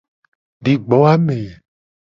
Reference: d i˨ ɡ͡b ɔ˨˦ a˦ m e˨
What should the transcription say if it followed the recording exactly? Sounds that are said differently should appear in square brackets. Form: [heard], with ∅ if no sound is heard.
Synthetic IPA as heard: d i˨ ɡ͡b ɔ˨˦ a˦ m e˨